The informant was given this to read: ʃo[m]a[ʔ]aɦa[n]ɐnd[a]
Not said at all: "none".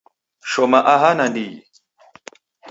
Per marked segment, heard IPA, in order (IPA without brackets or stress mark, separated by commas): m, ʔ, n, i